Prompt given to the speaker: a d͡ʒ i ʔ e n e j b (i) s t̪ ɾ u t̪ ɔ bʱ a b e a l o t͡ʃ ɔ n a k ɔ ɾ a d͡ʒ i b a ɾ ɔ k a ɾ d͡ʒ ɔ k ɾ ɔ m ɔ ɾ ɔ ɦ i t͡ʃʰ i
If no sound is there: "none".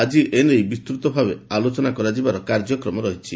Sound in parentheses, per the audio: i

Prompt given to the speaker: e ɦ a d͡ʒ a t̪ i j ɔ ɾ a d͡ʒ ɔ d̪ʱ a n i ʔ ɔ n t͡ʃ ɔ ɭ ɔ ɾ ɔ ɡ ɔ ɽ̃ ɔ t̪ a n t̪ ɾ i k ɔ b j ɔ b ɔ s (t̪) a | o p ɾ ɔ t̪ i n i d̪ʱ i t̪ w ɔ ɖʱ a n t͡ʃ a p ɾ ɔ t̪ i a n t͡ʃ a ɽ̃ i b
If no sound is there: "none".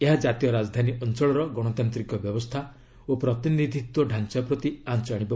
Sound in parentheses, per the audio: t̪ʰ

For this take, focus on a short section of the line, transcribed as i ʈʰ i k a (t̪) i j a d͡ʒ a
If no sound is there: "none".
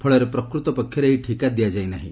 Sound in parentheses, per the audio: d̪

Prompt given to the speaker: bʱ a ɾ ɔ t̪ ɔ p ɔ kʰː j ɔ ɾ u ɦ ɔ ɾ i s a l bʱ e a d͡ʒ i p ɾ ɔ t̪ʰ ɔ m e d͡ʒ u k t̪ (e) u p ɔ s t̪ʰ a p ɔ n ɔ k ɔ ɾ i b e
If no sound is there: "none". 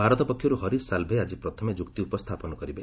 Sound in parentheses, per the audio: i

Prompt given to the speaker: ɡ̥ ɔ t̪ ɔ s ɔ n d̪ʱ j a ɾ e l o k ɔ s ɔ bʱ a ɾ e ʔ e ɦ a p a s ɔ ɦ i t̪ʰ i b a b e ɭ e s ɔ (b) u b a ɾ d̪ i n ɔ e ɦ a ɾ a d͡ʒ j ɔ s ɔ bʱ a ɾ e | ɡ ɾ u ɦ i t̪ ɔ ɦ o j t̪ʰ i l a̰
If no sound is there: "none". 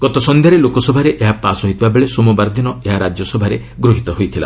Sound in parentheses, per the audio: m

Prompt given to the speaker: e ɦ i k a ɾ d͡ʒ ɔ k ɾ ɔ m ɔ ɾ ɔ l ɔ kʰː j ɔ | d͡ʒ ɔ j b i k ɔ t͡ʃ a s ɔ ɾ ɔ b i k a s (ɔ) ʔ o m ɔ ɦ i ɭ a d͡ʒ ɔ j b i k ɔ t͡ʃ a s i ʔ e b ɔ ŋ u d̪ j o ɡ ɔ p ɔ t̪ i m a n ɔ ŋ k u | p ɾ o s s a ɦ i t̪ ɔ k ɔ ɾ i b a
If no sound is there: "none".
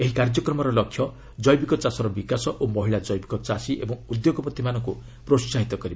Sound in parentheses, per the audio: ɔ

